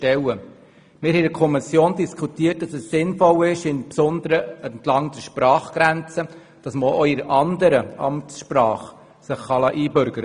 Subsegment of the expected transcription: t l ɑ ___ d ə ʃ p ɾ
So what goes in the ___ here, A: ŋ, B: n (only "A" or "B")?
A